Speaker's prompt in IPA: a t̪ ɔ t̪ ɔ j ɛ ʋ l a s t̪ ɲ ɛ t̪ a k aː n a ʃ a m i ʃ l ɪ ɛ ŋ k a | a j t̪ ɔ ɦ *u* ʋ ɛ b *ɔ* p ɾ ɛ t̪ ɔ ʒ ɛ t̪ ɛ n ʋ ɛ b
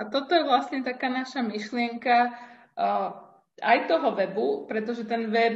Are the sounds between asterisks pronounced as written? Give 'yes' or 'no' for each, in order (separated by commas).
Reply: no, no